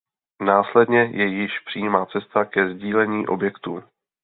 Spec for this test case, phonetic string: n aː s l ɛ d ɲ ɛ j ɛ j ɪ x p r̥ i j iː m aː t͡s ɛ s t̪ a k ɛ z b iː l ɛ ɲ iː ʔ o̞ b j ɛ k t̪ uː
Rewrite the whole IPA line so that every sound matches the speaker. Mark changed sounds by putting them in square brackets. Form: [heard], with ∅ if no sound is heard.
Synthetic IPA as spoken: n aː s l ɛ d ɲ ɛ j ɛ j ɪ [ʃ] p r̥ i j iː m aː t͡s ɛ s t̪ a k ɛ z [ɟ] iː l ɛ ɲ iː ʔ o̞ b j ɛ k t̪ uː